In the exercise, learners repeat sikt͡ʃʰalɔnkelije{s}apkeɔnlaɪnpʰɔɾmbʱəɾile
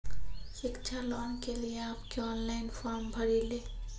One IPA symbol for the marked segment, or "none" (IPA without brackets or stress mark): none